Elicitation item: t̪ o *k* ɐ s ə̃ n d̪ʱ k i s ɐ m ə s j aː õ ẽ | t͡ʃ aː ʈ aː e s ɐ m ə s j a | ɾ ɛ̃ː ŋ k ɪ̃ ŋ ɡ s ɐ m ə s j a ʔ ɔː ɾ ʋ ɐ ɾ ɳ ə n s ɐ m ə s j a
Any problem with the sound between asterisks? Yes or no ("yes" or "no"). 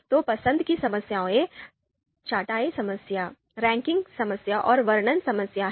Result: yes